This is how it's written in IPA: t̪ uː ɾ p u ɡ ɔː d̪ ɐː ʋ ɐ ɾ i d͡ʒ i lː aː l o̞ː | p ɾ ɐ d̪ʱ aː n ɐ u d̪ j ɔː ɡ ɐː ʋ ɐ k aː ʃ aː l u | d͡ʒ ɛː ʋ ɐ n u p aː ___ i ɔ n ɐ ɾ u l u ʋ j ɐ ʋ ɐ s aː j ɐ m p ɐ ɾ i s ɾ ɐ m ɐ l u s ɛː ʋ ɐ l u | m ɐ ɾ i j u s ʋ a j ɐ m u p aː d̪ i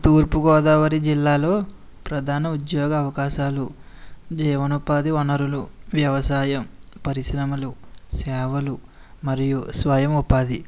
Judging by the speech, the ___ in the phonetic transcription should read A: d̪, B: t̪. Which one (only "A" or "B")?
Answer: A